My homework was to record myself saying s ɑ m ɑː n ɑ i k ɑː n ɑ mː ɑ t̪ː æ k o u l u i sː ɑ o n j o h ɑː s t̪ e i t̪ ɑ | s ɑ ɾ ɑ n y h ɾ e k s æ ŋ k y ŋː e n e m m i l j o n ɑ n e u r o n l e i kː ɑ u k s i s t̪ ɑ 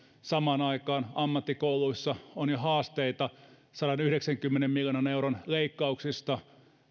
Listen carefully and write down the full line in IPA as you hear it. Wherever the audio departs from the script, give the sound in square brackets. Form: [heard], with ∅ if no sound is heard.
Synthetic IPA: s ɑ m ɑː n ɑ i k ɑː n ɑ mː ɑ t̪ː [i] k o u l u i sː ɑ o n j o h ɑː s t̪ e i t̪ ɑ | s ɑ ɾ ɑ n y h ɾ e k s æ ŋ k y [mː] e n e m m i l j o n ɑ n e u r o n l e i kː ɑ u k s i s t̪ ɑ